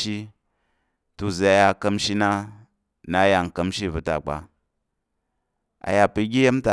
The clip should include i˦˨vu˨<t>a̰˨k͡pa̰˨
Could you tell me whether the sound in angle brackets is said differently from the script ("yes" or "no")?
no